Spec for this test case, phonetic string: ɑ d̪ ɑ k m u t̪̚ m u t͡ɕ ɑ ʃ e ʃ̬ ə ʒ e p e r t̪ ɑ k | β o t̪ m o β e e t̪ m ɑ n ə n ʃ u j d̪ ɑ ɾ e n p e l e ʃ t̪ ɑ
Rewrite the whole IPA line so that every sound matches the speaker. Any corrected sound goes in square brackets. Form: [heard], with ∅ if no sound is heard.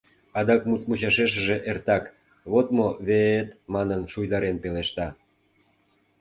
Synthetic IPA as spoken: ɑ d̪ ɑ k m u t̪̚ m u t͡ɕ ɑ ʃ e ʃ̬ ə ʒ e [ʔ] e r t̪ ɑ k | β o t̪ m o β e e t̪ m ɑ n ə n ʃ u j d̪ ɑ ɾ e n p e l e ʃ t̪ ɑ